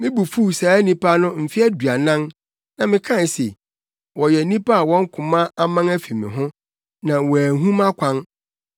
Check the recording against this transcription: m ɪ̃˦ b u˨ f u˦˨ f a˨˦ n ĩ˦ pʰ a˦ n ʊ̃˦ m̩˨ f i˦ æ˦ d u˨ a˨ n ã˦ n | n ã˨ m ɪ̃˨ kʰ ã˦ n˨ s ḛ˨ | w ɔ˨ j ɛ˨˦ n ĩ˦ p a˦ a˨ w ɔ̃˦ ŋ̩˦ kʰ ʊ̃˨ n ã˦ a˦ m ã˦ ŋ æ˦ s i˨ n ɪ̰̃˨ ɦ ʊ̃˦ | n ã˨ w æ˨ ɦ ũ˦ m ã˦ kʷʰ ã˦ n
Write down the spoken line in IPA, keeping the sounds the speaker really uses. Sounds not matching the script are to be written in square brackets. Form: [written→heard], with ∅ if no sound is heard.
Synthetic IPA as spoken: m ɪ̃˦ b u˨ f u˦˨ [f→s] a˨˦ n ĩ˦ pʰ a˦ n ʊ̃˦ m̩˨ f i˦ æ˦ d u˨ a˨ n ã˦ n | n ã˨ m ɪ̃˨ kʰ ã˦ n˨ s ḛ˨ | w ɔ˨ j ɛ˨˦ n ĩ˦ p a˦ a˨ w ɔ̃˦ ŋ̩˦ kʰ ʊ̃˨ [n→m] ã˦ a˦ m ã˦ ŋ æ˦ [s→f] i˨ [n→m] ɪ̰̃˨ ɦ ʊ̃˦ | n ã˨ w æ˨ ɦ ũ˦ m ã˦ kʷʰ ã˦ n